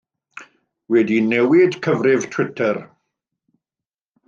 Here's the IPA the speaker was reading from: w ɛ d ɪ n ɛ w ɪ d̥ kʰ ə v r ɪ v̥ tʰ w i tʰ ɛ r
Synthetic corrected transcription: w ɛ d i n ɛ w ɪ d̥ kʰ ə v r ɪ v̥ tʰ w ɪ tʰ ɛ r